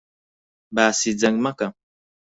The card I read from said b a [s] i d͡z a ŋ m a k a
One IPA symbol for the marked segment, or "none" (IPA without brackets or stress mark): s